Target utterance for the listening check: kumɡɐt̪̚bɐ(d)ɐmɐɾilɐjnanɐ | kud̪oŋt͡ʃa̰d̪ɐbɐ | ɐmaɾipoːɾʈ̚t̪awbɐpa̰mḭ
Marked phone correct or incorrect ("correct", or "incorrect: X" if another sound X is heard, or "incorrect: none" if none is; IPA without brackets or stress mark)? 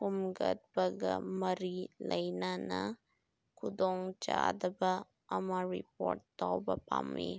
incorrect: ɡ